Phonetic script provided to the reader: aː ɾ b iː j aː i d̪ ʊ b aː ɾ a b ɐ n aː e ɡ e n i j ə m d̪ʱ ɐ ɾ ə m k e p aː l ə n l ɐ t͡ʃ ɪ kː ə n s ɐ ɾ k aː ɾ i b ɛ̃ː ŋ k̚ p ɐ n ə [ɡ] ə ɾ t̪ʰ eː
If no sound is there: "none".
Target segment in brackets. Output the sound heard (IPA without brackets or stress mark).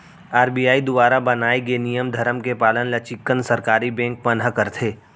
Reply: k